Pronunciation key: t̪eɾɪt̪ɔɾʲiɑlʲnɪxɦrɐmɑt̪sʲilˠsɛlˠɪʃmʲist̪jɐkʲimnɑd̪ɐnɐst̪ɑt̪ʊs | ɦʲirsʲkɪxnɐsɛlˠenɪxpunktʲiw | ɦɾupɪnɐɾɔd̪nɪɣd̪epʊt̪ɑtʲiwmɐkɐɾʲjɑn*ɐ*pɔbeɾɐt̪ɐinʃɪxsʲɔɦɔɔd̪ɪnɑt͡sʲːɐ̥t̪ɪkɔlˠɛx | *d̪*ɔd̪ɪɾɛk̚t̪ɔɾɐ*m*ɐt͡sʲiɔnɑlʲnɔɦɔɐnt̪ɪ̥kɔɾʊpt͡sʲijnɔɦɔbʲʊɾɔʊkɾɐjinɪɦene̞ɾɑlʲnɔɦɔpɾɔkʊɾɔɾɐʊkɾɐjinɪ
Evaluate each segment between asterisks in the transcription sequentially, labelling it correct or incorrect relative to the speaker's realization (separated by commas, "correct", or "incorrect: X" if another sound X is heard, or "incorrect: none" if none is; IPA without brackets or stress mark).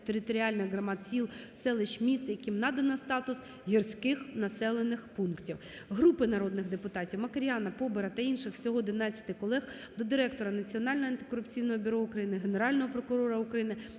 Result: correct, correct, incorrect: n